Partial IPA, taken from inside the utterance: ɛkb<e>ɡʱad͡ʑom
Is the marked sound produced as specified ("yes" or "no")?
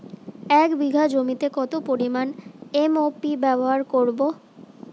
no